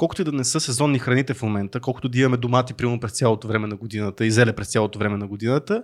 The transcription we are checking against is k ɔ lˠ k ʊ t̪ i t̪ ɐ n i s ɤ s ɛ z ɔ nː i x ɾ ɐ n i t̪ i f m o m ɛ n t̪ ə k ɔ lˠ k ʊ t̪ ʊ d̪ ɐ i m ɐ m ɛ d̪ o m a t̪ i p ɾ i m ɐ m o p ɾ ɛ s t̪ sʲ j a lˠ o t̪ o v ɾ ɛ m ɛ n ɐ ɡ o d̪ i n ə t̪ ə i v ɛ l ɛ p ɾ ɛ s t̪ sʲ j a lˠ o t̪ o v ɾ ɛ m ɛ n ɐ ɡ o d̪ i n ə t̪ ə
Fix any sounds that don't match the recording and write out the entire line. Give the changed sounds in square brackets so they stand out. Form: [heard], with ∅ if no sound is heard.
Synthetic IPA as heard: k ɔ lˠ k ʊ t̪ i [d̪] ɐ n [ɛ] s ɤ s ɛ z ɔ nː i x ɾ ɐ n i t̪ [ɛ] f m o m ɛ n t̪ ə k ɔ lˠ k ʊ t̪ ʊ d̪ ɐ i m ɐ m ɛ d̪ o m a t̪ i p ɾ i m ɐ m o p ɾ ɛ s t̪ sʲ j a lˠ o t̪ o v ɾ ɛ m ɛ n ɐ ɡ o d̪ i n ə t̪ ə i [z] ɛ l ɛ p ɾ ɛ s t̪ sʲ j a lˠ o t̪ o v ɾ ɛ m ɛ n ɐ ɡ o d̪ i n ə t̪ ə